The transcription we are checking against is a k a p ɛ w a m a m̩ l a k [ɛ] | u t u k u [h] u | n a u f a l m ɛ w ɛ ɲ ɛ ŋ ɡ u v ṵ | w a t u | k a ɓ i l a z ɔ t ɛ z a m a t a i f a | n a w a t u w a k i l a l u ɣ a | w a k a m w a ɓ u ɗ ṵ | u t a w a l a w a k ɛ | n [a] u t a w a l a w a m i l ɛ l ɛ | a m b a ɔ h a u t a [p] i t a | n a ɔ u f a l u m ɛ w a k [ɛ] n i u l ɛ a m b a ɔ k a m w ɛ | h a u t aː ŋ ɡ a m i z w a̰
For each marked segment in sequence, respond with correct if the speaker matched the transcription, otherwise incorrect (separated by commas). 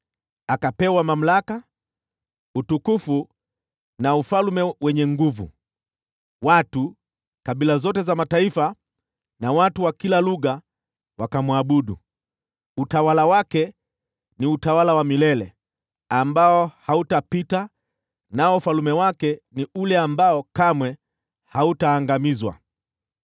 incorrect, incorrect, incorrect, correct, correct